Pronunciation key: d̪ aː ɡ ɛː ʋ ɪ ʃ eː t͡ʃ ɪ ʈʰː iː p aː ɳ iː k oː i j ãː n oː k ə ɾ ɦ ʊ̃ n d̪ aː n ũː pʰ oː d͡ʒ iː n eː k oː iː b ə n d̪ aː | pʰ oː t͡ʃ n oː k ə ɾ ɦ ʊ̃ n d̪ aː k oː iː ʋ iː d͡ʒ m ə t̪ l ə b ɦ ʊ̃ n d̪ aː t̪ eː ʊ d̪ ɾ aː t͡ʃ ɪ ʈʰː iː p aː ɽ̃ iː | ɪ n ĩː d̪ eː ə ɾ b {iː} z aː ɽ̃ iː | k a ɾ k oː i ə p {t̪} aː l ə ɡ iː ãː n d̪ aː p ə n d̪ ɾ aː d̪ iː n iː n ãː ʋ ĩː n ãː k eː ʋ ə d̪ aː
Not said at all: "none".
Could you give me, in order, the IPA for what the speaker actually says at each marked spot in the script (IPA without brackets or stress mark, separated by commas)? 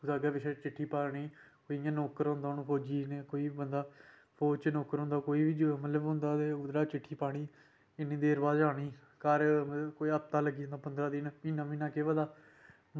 aː, t̪